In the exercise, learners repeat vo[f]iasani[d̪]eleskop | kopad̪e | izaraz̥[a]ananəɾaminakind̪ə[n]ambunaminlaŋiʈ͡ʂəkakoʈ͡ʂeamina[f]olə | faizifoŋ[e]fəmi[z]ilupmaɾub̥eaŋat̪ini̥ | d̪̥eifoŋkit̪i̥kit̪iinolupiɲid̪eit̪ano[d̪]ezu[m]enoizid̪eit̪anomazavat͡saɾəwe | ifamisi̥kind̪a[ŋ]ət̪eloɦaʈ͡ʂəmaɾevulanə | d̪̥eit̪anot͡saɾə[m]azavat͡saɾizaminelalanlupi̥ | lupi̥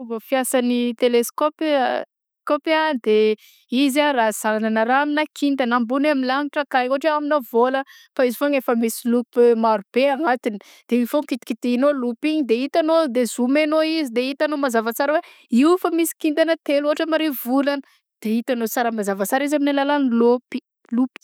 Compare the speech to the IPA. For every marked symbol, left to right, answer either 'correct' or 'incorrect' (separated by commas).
correct, incorrect, correct, correct, incorrect, correct, incorrect, correct, correct, incorrect, correct